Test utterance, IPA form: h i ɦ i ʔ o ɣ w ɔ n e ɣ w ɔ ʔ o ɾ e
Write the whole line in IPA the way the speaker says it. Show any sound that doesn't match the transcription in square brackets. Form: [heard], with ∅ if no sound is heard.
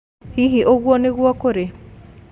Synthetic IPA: h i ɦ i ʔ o ɣ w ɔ n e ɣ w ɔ [k] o ɾ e